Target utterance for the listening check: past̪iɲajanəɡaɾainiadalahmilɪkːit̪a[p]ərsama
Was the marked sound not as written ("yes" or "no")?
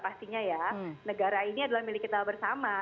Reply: yes